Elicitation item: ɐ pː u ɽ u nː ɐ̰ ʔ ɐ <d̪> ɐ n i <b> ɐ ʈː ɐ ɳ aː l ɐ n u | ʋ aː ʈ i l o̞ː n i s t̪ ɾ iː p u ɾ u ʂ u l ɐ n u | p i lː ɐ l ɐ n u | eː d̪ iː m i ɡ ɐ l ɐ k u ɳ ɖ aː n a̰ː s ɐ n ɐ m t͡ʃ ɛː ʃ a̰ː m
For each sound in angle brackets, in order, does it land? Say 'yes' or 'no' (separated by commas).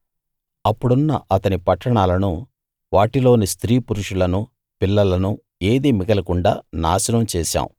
no, no